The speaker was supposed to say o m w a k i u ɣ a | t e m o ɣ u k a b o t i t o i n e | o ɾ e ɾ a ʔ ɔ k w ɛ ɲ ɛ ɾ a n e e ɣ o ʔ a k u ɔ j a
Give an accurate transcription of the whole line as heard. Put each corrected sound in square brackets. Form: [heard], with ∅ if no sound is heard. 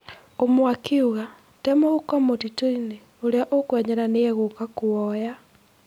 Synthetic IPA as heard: o m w a k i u ɣ a | t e m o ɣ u k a [m] o t i t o i n e | o ɾ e [∅] a ʔ [o] k w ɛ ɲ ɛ ɾ a n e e ɣ o [k] a k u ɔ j a

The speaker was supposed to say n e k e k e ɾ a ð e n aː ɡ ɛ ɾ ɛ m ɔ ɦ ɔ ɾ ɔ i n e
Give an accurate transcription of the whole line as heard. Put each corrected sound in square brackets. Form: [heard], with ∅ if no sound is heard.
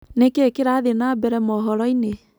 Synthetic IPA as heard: n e k e k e ɾ a ð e n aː [b] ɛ ɾ ɛ m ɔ ɦ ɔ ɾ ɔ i n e

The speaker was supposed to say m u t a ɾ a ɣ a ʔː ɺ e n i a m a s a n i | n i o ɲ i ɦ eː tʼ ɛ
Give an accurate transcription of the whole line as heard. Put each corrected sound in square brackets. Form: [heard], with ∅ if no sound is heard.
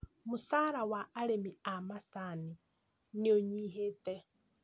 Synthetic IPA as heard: m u [s] a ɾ a [w] a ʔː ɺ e [m] i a m a s a n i | n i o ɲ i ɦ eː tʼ ɛ

